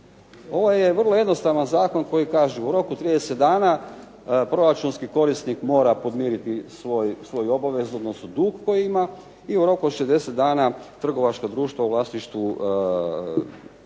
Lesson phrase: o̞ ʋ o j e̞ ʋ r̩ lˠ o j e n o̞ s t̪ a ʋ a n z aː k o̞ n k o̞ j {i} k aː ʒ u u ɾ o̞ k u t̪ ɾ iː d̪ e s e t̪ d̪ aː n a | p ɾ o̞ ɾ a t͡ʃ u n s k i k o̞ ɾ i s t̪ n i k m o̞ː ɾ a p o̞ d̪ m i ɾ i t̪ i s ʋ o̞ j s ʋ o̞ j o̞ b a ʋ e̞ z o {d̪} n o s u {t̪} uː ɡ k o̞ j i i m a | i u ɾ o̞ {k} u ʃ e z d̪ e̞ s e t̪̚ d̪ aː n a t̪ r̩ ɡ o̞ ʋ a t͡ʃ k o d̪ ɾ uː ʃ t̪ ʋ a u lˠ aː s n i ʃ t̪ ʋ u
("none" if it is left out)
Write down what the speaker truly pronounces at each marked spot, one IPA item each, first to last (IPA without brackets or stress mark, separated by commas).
i, d̪, d̪, k